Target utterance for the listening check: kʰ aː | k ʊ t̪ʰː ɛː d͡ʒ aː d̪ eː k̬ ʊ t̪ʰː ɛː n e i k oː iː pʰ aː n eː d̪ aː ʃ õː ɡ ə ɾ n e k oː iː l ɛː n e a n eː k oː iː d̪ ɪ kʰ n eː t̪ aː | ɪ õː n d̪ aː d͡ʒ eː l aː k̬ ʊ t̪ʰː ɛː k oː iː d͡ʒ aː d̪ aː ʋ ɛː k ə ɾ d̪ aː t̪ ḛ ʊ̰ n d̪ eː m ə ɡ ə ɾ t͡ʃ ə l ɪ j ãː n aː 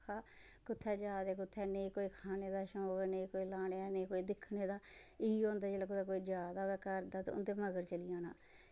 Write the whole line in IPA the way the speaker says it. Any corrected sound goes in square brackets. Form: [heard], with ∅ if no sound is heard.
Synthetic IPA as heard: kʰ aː | k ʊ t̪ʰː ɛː d͡ʒ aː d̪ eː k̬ ʊ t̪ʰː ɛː n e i k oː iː [kʰ] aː n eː d̪ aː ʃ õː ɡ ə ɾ n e k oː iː l [aː] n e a n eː k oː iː d̪ ɪ kʰ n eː [d̪] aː | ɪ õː n d̪ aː d͡ʒ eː l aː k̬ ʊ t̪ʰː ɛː k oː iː d͡ʒ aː d̪ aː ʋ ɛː k ə ɾ d̪ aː t̪ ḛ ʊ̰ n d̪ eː m ə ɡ ə ɾ t͡ʃ ə l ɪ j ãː n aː